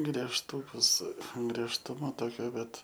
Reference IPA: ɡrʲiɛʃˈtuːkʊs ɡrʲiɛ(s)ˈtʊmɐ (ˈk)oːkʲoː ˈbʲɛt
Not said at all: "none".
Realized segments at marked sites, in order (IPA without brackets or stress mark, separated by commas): ʃ, t